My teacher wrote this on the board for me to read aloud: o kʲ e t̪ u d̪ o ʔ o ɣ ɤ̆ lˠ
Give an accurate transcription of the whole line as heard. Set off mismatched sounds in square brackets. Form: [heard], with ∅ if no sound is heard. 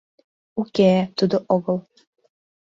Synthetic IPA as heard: [u] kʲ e t̪ u d̪ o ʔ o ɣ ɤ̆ lˠ